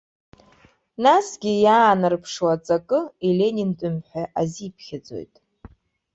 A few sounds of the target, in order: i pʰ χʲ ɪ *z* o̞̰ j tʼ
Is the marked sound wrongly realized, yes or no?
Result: yes